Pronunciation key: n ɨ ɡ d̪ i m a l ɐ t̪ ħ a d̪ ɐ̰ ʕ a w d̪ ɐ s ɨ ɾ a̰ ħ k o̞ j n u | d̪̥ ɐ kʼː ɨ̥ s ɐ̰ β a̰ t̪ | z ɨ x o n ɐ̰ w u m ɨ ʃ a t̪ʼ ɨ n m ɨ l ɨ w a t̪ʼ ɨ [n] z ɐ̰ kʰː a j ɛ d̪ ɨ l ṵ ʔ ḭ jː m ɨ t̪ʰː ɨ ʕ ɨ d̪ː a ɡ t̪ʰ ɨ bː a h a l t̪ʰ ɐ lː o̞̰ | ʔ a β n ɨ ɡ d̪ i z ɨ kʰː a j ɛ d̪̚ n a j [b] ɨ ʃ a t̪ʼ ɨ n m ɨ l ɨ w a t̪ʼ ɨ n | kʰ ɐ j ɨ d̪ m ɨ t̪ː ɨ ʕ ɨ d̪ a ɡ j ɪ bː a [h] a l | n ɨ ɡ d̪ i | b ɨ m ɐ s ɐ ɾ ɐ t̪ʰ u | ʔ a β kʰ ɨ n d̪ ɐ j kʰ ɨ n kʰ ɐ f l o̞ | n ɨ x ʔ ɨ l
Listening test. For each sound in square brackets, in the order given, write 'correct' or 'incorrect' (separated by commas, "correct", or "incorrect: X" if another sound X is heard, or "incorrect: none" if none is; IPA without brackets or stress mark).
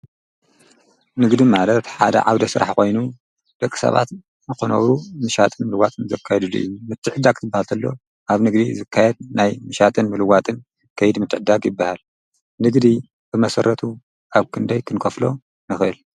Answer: correct, incorrect: m, correct